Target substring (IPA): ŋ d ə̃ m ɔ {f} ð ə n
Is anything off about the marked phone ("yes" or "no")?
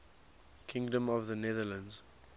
yes